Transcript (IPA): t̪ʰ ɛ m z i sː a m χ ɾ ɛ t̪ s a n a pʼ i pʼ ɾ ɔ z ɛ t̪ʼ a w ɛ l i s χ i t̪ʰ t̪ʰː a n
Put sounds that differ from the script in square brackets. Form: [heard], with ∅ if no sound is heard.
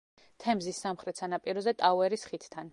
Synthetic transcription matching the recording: t̪ʰ ɛ m z i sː a m χ ɾ ɛ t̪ s a n a pʼ i [∅] ɾ ɔ z ɛ t̪ʼ a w ɛ [ɾ] i s χ i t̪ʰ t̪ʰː a n